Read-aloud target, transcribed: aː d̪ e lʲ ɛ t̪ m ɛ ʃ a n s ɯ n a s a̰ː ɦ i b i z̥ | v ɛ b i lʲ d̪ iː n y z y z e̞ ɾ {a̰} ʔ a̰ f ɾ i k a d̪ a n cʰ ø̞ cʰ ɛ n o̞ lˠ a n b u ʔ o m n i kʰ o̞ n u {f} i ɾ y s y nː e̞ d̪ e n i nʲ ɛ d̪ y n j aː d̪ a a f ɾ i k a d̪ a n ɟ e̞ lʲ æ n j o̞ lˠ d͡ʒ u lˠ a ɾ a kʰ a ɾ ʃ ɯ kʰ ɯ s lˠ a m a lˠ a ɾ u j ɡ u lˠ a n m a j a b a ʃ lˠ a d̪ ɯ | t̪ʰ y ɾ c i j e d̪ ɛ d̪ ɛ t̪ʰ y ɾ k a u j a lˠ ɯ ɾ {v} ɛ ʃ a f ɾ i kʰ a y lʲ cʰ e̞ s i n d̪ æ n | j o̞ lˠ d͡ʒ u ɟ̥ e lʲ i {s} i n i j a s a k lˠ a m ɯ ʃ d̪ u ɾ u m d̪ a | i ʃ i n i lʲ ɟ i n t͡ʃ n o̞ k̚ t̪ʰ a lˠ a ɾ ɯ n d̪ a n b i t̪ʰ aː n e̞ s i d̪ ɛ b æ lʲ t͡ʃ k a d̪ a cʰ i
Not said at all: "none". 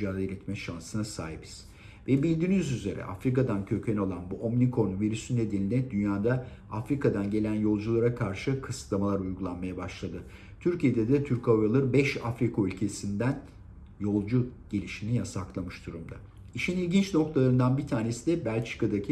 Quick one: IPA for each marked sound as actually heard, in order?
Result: ɛ̰, v, b, ʃ

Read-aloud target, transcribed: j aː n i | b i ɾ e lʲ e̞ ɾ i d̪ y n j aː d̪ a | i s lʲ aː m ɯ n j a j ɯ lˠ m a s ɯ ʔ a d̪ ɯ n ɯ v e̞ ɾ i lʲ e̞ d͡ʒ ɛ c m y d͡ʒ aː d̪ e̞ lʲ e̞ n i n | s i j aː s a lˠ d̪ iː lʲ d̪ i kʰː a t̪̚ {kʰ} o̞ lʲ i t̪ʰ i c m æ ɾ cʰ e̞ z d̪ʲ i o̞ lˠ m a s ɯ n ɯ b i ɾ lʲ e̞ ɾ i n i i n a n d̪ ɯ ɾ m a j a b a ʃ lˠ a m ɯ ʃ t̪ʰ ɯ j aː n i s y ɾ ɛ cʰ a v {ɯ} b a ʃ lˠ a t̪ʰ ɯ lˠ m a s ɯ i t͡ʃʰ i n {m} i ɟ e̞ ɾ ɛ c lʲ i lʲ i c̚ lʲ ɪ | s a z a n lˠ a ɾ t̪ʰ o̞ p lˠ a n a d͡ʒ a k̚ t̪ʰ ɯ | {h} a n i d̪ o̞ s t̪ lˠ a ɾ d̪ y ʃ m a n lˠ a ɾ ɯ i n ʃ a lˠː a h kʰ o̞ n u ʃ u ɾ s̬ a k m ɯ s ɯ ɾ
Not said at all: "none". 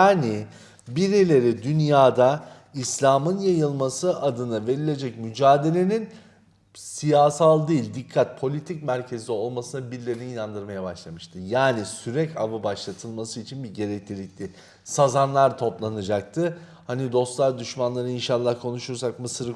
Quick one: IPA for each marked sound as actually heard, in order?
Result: pʰ, ɯ, b, h

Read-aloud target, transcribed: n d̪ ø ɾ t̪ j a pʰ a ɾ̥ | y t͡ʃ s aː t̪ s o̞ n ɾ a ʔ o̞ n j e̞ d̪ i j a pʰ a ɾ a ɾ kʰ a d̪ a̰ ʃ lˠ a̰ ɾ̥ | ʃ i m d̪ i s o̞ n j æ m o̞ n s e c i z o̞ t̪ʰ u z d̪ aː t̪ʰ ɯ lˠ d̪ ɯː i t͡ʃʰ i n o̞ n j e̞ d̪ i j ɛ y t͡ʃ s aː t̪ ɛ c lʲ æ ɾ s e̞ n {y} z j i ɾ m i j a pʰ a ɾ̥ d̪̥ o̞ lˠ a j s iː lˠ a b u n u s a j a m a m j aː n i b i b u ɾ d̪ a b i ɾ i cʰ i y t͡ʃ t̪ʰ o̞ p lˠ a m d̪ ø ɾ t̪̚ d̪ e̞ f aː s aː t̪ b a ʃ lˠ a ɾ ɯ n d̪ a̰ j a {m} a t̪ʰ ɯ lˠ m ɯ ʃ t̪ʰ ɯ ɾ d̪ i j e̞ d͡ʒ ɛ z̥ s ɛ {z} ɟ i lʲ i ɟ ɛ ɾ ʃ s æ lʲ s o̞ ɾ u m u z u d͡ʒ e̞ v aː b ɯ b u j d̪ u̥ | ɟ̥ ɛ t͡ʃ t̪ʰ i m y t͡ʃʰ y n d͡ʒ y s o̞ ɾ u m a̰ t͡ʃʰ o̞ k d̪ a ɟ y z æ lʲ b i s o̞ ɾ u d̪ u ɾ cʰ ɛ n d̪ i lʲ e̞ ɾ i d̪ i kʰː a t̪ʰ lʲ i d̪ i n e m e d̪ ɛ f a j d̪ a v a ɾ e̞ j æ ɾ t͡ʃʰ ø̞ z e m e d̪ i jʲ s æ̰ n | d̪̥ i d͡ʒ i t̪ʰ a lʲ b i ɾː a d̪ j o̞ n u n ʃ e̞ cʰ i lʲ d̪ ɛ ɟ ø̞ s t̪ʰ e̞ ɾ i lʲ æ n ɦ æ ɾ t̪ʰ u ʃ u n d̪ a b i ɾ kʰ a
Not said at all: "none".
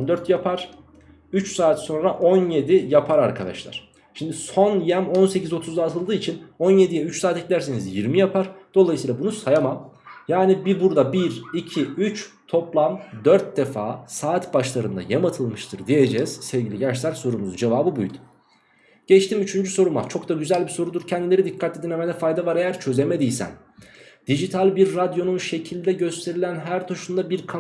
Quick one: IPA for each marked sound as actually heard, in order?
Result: i, m, v

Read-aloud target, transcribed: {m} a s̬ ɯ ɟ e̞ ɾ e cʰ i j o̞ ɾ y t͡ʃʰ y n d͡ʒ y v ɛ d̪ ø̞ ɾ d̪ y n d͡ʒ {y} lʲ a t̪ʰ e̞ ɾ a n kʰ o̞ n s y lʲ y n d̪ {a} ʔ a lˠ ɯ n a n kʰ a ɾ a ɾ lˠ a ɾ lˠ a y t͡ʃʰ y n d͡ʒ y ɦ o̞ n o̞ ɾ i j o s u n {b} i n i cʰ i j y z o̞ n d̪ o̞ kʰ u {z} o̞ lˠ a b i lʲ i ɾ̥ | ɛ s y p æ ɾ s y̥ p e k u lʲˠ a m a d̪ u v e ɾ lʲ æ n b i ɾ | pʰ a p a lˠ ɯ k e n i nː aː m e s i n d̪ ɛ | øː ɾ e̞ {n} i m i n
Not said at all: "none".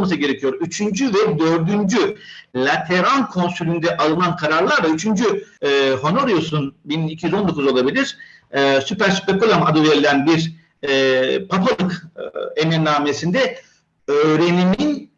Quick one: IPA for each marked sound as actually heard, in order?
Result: m, y, ɛ, b, z, n

